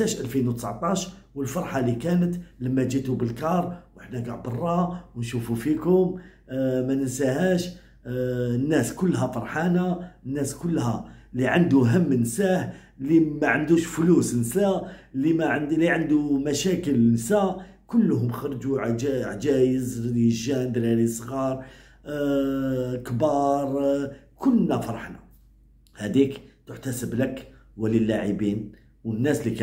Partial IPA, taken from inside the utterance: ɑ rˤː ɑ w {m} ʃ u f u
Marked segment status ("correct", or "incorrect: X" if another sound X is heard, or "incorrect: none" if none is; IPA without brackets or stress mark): incorrect: n